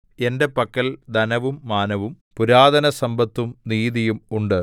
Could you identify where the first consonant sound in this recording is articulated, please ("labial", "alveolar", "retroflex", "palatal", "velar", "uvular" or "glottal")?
alveolar